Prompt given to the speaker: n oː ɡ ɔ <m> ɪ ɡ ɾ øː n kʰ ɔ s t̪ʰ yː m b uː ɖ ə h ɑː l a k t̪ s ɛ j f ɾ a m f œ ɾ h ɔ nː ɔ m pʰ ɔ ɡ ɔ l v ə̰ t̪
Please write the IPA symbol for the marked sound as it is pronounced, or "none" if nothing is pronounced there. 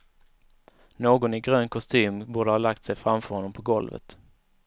n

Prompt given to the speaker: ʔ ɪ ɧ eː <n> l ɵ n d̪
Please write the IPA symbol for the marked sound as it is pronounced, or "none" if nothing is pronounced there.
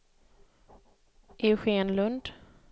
n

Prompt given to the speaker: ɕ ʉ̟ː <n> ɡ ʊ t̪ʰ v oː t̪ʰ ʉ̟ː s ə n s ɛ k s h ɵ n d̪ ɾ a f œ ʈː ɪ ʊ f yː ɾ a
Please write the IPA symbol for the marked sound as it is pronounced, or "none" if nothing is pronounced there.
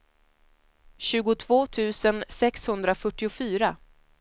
none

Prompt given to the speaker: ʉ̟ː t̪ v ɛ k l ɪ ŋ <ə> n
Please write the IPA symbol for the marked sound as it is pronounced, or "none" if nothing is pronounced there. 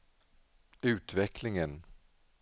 ə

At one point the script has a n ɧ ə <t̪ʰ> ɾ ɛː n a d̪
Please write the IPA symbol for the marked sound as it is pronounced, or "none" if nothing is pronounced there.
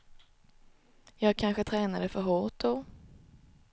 t̪ʰ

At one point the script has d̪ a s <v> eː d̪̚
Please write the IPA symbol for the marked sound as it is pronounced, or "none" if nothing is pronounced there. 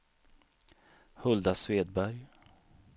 v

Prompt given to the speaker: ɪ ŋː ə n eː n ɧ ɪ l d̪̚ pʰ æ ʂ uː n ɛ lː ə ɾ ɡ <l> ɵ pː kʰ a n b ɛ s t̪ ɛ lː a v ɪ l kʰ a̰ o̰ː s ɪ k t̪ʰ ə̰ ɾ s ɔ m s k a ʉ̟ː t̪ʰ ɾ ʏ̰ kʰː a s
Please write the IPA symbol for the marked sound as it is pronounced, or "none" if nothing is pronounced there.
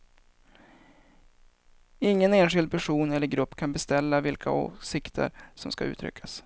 ɾ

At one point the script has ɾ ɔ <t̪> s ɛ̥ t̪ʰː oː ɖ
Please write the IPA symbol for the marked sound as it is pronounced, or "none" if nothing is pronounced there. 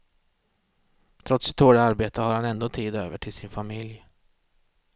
t̪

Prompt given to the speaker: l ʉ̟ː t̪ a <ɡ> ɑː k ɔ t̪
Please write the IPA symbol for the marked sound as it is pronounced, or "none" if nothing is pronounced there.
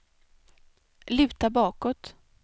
b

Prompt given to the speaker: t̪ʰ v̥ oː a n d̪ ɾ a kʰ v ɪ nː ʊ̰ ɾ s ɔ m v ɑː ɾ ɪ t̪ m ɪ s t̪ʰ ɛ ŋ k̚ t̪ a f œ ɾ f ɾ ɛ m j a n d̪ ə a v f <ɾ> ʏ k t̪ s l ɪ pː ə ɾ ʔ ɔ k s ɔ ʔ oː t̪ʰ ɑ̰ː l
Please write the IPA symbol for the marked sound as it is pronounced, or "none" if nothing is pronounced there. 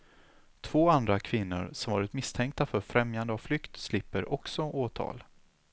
l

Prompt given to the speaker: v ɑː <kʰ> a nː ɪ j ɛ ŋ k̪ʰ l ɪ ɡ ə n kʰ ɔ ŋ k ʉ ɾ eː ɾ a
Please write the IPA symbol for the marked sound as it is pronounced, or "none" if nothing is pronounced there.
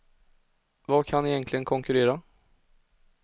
kʰ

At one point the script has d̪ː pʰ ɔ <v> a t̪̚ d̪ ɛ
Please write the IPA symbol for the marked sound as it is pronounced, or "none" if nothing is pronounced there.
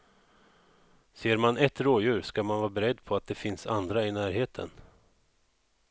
none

